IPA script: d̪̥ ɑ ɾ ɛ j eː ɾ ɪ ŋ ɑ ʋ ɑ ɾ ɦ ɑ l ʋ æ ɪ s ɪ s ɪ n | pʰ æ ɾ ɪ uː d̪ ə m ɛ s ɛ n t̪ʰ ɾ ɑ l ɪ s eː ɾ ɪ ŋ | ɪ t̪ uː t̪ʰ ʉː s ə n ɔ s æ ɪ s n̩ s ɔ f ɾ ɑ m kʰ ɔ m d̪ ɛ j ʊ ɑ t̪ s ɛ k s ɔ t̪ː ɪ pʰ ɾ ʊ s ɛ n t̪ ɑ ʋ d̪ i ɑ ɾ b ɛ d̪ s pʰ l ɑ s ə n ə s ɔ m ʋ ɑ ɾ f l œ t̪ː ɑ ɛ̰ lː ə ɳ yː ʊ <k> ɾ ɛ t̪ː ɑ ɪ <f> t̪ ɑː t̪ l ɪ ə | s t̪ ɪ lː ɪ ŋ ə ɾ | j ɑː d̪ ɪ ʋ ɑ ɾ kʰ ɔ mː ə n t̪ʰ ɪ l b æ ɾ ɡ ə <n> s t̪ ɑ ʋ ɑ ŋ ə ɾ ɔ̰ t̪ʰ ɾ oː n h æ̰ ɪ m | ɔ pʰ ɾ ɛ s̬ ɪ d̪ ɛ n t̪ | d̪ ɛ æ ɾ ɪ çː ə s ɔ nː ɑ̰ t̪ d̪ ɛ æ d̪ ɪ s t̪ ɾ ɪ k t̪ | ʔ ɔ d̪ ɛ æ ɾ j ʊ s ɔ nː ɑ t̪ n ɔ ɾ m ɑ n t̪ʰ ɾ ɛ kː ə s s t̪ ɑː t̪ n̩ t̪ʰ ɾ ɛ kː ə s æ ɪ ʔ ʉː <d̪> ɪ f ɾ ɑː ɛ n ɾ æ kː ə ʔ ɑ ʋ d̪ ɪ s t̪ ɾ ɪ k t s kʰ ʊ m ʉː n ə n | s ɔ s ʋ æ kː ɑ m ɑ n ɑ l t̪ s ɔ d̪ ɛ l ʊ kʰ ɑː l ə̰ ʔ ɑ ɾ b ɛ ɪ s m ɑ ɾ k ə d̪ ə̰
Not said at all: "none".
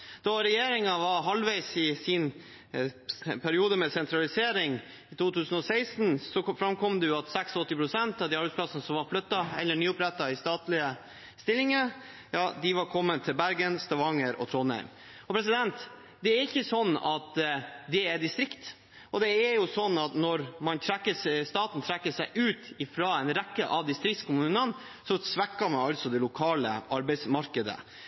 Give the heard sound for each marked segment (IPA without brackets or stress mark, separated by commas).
p, s, n, t̪